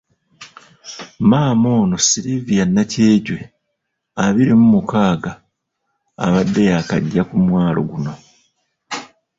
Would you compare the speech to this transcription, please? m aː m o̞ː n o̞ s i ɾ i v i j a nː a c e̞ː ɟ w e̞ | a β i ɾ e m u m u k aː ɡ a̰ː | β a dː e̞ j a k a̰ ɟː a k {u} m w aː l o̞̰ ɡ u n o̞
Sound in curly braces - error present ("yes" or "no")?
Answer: no